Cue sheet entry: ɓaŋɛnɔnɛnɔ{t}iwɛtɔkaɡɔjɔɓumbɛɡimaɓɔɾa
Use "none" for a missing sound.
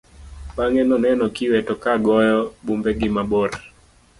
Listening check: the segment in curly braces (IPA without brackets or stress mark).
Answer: k